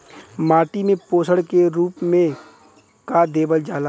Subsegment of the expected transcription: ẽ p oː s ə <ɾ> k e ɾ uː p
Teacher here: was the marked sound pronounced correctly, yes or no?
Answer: no